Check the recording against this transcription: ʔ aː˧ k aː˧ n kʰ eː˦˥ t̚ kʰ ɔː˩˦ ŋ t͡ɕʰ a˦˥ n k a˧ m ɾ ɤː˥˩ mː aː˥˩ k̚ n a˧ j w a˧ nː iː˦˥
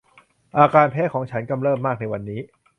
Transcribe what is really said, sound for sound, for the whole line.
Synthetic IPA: ʔ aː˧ k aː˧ n pʰ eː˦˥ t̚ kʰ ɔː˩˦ ŋ t͡ɕʰ a˦˥ n k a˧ m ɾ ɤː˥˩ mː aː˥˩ k̚ n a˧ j w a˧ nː iː˦˥